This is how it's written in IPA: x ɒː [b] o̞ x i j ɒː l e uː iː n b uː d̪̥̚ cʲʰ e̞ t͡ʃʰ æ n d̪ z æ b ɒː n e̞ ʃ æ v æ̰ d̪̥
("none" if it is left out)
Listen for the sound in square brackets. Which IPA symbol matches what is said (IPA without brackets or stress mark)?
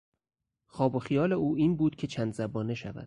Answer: b